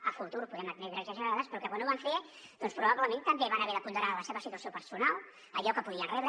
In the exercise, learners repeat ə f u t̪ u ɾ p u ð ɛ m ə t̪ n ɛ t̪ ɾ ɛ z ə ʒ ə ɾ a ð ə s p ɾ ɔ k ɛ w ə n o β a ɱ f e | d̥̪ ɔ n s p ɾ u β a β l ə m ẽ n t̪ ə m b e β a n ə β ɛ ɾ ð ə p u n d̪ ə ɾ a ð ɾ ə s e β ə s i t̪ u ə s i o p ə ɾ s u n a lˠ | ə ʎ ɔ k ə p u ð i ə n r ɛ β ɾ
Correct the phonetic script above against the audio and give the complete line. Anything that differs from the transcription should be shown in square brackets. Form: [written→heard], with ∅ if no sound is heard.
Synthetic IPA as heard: ə f u t̪ u ɾ p u ð ɛ m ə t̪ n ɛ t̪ ɾ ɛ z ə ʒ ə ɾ a ð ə s p ɾ ɔ k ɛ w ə n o β a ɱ f e | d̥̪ ɔ n s p ɾ u β a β l ə m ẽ n t̪ ə m b e β a n ə β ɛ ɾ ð ə p u n d̪ ə ɾ a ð [ɾ→l] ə s e β ə s i t̪ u ə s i o p ə ɾ s u n a lˠ | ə ʎ ɔ k ə p u ð i ə n r ɛ β ɾ